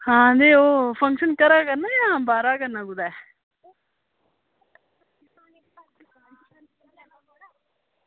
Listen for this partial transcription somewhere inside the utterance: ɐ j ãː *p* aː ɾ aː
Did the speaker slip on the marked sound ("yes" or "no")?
yes